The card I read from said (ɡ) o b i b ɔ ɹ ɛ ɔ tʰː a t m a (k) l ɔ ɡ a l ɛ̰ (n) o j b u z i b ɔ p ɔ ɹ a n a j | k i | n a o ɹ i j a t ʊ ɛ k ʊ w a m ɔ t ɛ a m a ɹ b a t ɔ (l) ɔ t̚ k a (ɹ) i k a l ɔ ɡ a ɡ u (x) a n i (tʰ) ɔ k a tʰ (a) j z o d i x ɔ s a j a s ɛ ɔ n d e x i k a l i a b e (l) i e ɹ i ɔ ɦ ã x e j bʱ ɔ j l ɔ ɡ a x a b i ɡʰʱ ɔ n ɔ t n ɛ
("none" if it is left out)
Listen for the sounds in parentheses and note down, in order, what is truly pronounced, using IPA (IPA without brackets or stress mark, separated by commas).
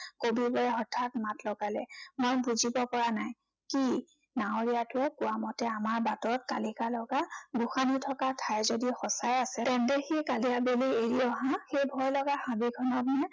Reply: k, t, m, ɹ, l, x, tʰ, a, l